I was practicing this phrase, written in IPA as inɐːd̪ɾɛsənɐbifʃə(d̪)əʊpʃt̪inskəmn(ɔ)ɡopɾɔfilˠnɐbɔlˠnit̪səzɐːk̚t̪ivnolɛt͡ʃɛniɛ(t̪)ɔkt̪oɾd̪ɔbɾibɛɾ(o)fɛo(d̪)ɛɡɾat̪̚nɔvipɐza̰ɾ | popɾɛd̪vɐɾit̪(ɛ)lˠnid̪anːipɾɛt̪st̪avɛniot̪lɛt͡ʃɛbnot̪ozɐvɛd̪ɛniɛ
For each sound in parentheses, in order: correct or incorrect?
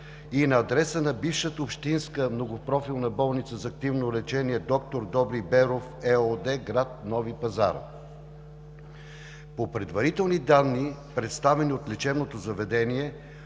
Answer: incorrect, incorrect, incorrect, correct, correct, correct

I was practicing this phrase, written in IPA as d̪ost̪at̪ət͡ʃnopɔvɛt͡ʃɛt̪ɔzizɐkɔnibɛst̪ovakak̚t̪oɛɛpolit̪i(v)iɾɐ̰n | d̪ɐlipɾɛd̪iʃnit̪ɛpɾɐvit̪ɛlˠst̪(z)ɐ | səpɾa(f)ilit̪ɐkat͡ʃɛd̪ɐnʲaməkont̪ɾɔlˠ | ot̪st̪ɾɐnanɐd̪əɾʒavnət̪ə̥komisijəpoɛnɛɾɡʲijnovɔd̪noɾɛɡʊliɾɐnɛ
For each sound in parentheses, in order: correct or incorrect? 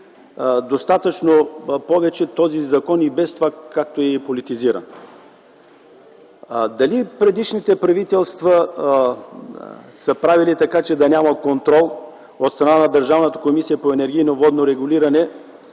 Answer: incorrect, incorrect, incorrect

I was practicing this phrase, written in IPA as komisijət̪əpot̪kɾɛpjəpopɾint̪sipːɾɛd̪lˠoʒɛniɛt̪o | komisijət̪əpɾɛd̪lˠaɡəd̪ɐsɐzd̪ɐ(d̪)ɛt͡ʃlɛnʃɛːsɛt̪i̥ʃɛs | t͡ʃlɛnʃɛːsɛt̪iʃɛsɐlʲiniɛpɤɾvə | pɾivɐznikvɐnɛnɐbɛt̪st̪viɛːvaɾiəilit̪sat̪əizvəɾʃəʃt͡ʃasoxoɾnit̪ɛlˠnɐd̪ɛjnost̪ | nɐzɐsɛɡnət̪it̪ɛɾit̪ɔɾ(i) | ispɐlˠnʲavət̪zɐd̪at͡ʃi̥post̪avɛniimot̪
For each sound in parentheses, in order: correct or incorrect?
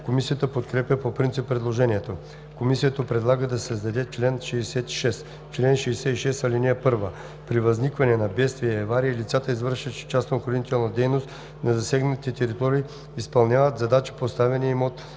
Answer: correct, incorrect

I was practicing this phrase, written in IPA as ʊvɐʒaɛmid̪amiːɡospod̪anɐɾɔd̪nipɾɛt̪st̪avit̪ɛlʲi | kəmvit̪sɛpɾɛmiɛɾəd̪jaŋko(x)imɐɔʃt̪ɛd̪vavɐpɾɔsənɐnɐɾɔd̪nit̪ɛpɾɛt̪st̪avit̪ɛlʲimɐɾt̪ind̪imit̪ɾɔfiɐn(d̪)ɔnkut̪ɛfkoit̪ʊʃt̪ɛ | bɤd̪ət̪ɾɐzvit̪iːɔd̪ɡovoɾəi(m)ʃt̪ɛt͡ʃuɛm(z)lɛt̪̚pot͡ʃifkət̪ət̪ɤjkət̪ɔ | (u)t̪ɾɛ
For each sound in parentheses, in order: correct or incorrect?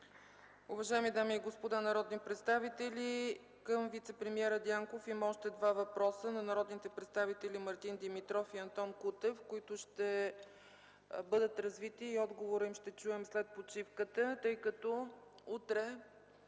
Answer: incorrect, incorrect, correct, incorrect, correct

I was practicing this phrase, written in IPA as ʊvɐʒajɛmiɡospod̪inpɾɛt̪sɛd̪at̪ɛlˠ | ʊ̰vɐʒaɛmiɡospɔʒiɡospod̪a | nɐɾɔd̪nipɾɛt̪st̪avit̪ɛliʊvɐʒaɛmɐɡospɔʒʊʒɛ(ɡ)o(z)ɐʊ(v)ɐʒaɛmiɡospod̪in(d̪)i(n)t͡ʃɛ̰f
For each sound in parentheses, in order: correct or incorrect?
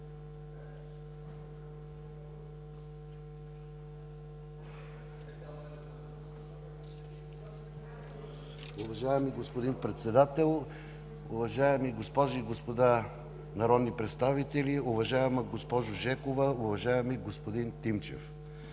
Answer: incorrect, incorrect, correct, incorrect, incorrect

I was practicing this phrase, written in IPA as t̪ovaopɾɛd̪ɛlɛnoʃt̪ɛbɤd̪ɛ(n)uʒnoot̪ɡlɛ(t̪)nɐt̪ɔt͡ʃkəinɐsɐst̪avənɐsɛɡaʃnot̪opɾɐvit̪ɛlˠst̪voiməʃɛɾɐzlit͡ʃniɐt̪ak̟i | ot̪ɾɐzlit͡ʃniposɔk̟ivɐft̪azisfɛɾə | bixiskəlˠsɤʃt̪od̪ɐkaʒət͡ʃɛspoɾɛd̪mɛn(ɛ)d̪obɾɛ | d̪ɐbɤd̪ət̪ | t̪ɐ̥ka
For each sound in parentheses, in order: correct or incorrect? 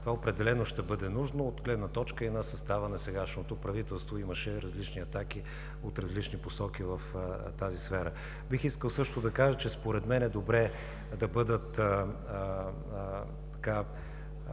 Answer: correct, incorrect, correct

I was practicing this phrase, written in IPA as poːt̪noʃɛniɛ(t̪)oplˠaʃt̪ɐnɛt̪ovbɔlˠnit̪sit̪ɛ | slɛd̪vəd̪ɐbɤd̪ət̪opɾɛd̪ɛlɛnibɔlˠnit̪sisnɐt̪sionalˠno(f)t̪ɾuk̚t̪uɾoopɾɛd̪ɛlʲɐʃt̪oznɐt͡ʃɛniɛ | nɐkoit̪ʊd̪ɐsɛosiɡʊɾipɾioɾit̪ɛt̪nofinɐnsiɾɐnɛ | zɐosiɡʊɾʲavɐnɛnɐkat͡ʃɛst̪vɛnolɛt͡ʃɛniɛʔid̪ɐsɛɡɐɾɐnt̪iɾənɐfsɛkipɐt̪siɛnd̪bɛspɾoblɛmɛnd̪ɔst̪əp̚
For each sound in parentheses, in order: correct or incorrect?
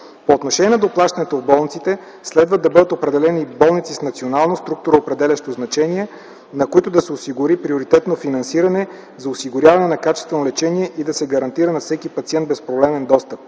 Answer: incorrect, incorrect

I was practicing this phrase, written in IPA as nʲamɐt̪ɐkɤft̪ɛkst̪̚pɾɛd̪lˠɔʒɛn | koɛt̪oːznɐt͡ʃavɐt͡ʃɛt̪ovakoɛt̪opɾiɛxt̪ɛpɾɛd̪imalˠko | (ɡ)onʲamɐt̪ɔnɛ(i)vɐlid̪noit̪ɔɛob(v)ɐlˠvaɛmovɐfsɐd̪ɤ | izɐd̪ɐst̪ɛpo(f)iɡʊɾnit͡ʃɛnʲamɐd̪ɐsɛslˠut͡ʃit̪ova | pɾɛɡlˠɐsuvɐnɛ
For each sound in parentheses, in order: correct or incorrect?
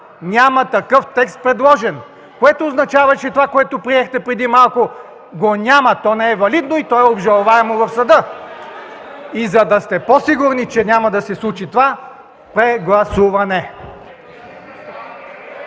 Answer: correct, incorrect, incorrect, incorrect

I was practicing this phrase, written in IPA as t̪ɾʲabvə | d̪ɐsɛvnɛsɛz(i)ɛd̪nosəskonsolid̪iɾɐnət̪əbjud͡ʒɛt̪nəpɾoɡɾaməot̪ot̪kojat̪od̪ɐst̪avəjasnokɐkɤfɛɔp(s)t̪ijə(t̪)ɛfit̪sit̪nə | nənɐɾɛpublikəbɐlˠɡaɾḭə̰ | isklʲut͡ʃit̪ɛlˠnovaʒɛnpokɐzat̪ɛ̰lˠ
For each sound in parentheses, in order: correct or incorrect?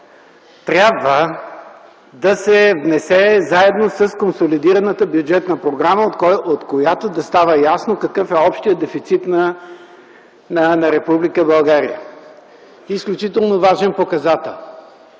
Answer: incorrect, incorrect, incorrect

